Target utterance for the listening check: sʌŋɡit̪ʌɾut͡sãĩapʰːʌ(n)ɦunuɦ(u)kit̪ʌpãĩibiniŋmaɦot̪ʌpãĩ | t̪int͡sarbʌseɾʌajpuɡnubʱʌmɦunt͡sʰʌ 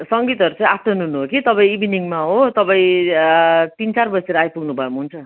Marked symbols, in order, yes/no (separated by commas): yes, no